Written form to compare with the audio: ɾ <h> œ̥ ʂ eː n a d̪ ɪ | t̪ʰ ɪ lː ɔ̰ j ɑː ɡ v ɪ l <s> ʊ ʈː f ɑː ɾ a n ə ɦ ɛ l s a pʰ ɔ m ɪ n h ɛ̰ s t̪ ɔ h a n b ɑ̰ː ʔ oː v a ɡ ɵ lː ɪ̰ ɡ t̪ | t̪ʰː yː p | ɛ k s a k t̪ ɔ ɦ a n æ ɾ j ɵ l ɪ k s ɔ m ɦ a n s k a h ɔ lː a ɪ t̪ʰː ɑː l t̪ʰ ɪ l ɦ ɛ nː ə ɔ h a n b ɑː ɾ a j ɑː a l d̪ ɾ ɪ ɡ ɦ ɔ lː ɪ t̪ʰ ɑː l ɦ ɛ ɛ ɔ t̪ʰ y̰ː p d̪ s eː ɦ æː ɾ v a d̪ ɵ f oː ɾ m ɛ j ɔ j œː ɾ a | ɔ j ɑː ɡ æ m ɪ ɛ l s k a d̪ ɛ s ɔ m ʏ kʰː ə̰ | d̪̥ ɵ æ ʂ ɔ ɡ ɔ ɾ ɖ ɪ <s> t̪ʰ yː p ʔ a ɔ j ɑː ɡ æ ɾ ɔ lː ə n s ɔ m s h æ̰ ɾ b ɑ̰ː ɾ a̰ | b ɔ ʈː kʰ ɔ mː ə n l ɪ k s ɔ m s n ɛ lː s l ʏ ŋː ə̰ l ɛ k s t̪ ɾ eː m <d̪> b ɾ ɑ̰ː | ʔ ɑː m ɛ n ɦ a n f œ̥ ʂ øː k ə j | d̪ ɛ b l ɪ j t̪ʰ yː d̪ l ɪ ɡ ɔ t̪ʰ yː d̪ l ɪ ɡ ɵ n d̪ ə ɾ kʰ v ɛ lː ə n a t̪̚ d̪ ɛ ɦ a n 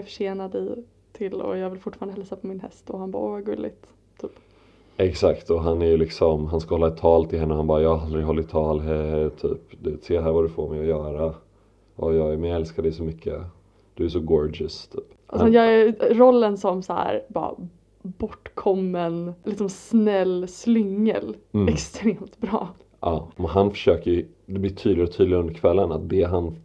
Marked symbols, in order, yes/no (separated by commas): no, no, yes, no